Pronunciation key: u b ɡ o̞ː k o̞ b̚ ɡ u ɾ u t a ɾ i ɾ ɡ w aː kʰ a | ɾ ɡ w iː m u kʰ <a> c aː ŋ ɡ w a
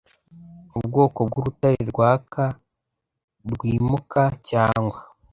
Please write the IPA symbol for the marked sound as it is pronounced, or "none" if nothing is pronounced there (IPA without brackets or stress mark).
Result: a